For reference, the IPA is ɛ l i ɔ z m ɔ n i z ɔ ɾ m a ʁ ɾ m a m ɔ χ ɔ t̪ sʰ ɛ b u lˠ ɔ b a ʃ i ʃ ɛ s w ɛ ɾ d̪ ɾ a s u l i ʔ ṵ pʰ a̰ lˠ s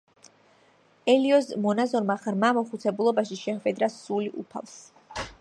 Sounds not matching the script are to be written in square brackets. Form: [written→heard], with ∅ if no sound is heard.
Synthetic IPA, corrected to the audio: ɛ l i ɔ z m ɔ n [i→a] z ɔ ɾ m a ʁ ɾ m a m ɔ χ [ɔ→u] t̪ sʰ ɛ b u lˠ ɔ b a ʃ i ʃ ɛ [s→χ] w ɛ [ɾ→∅] d̪ ɾ a s u l i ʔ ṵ pʰ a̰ lˠ s